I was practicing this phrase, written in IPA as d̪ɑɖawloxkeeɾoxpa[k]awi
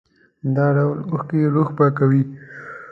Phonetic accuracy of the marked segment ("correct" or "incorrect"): correct